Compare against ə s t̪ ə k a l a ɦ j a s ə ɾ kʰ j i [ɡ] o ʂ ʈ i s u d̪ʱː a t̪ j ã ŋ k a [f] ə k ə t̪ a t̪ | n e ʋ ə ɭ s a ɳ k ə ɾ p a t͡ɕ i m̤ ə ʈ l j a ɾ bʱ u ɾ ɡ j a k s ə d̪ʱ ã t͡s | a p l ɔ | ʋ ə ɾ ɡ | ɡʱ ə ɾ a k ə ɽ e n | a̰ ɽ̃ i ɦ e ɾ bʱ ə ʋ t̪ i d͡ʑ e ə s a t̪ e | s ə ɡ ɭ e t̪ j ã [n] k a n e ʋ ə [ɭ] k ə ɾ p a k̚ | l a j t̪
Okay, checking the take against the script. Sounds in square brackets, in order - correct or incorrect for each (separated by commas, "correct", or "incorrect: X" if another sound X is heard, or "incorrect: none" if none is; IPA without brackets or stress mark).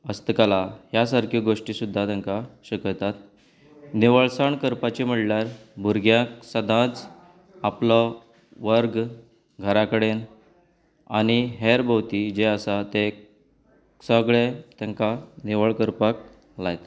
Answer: correct, incorrect: ɕ, incorrect: ŋ, correct